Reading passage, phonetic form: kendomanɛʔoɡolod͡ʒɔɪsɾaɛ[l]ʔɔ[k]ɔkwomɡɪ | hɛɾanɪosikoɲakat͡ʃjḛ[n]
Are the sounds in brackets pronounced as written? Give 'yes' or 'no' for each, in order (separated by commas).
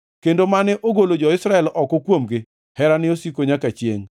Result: yes, yes, no